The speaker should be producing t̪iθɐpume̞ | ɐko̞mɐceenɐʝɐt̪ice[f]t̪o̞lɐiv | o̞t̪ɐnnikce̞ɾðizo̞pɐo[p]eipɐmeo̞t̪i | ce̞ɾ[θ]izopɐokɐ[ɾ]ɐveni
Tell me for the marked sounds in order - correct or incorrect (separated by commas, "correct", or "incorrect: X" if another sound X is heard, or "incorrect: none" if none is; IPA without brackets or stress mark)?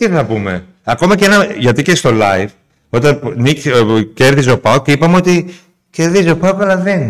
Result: incorrect: s, incorrect: c, incorrect: ð, incorrect: l